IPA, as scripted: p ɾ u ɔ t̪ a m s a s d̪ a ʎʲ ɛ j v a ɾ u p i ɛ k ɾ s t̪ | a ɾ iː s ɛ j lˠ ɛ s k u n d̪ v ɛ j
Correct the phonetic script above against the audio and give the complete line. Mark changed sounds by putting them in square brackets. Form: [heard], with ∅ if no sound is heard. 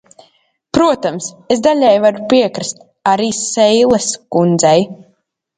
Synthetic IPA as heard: p ɾ u ɔ t̪ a m s [e] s d̪ a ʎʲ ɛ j v a ɾ u p i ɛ k ɾ s t̪ | a ɾ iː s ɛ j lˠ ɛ s k u n d̪ [z] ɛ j